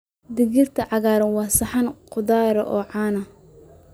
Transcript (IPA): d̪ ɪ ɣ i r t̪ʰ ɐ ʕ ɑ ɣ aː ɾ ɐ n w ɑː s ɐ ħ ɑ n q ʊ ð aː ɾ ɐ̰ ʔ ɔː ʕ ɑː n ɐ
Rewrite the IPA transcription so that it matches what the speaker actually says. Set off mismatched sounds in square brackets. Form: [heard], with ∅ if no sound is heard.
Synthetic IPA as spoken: d̪ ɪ ɣ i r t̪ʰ ɐ ʕ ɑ ɣ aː ɾ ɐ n w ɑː s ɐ ħ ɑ n q ʊ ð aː ɾ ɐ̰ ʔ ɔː ʕ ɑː n ɐ